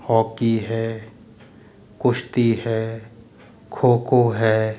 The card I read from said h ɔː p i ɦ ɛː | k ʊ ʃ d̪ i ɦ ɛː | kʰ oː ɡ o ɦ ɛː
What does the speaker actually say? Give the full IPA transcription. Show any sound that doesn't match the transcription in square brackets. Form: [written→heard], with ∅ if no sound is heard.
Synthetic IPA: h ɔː [p→k] i ɦ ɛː | k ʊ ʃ [d̪→t̪] i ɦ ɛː | kʰ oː [ɡ→k] o ɦ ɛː